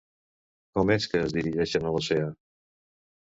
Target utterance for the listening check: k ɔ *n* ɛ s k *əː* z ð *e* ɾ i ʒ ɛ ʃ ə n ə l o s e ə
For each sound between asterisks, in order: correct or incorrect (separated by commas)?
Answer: incorrect, correct, incorrect